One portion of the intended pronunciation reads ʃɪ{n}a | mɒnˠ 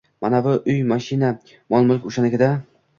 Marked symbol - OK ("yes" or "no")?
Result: yes